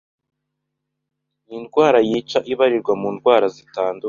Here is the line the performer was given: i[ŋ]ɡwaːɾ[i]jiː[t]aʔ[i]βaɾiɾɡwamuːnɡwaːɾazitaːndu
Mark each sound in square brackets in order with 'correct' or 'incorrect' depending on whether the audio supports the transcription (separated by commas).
incorrect, incorrect, incorrect, correct